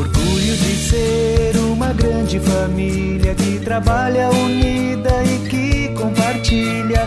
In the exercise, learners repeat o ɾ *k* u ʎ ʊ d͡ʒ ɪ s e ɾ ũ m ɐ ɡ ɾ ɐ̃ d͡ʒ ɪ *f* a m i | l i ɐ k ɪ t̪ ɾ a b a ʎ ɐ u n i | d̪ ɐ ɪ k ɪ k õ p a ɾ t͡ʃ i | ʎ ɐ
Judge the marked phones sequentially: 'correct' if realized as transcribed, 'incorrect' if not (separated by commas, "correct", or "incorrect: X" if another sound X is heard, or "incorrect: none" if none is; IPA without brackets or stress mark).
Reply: incorrect: ɡ, correct